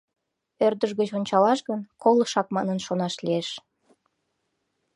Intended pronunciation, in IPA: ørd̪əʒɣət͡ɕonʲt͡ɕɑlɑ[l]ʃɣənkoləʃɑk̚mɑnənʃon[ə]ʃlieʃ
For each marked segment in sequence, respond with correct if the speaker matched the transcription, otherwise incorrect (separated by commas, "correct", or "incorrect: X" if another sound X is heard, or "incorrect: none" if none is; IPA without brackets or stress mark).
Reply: incorrect: none, incorrect: ɑ